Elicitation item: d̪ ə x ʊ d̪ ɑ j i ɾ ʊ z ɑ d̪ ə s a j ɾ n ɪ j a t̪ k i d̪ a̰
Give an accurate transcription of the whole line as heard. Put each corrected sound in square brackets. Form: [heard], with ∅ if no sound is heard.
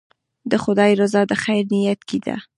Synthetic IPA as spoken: d̪ ə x ʊ d̪ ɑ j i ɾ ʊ z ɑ d̪ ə [x] a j ɾ n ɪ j a t̪ k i d̪ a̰